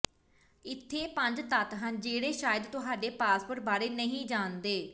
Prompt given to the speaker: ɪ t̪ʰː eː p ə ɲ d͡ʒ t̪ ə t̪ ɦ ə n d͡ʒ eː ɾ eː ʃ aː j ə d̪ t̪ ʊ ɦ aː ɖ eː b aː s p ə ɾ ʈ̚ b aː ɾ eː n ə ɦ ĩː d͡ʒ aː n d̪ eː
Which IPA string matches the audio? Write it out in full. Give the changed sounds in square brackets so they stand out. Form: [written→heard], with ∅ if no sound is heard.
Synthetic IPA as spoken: ɪ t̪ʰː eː p ə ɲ d͡ʒ t̪ ə t̪ ɦ ə n d͡ʒ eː [ɾ→ɽ] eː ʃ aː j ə d̪ t̪ ʊ ɦ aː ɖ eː [b→p] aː s p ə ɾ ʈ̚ b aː ɾ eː n ə ɦ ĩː d͡ʒ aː n d̪ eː